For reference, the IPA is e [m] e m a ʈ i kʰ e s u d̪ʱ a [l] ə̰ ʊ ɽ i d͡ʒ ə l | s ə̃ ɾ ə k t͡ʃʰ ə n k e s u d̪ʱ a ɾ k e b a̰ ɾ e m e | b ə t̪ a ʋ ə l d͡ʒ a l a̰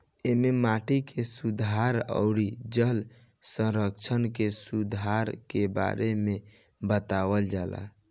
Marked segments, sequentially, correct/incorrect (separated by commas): correct, incorrect